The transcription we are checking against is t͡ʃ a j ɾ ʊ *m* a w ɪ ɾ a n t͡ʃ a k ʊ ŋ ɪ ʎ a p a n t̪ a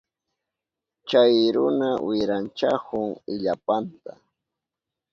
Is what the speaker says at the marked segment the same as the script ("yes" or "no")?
no